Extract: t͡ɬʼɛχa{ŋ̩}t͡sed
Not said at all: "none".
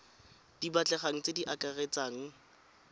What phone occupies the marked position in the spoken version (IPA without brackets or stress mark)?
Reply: ŋ̩